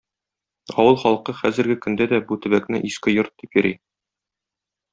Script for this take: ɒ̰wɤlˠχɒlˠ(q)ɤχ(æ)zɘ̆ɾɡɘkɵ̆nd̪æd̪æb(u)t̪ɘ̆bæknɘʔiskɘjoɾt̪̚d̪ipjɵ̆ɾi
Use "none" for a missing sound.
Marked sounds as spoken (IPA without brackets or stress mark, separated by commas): q, æ, u